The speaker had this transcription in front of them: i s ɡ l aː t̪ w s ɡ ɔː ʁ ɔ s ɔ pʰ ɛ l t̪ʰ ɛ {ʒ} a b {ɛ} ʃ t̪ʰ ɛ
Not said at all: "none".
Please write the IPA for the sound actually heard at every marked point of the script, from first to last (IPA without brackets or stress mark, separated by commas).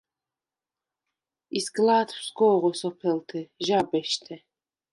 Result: ʒ, ɛ